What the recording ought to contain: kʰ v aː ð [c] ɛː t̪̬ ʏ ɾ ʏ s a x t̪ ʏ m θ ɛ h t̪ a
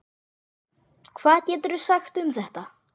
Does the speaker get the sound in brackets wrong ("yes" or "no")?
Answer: no